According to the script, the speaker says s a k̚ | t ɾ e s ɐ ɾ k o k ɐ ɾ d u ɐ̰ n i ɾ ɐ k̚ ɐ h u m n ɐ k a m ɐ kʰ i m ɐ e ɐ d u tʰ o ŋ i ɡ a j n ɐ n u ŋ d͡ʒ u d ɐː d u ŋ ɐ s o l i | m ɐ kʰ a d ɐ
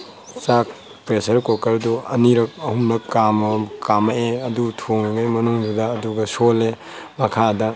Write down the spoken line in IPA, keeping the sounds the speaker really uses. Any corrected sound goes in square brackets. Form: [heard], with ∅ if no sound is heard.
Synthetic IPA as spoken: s a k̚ | [p] ɾ e s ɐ ɾ k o k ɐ ɾ d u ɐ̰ n i ɾ ɐ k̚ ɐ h u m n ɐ k a m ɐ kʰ [a] m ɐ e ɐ d u tʰ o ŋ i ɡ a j [m] ɐ n u ŋ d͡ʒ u d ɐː d u [ɡ] ɐ s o l [e] | m ɐ kʰ a d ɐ